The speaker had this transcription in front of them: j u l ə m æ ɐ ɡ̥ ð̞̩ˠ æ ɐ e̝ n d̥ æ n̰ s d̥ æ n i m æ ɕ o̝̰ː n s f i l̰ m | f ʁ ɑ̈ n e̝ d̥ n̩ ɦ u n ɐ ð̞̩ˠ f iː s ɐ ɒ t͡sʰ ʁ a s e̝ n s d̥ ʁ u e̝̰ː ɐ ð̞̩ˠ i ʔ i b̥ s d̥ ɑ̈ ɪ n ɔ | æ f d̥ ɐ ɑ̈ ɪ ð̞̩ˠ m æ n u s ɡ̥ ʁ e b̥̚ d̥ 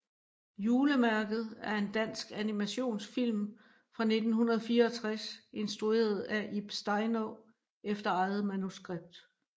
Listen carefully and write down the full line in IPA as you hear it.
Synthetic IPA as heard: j uː l ə m æ ɐ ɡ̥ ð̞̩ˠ æ ɐ e̝ n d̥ æ n̰ s ɡ̥ æ n i m æ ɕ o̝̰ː n s f i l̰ m | f ʁ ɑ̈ n e̝ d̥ n̩ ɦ u n ɐ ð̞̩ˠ f iː ɐ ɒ t͡sʰ ʁ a s e̝ n s d̥ ʁ u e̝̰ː ɐ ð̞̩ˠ æ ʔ i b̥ s d̥ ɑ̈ ɪ n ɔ | e f d̥ ɐ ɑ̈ ɪ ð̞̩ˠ m æ n u s ɡ̥ ʁ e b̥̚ d̥